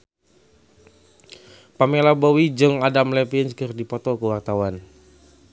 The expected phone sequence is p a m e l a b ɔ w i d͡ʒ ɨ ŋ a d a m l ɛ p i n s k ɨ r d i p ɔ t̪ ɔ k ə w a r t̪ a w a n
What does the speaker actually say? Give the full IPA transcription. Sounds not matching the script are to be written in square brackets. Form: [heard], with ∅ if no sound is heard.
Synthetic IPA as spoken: p a m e l a b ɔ w i d͡ʒ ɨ ŋ a d a m l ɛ p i n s k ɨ r d i p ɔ t̪ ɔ k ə w a r t̪ a w a n